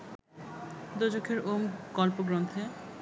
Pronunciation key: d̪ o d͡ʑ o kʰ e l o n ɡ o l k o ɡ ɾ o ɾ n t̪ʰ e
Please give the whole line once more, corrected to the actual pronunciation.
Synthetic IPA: d̪ o d͡ʑ o kʰ e ɾ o m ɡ ɔ l p o ɡ ɾ o n t̪ʰ e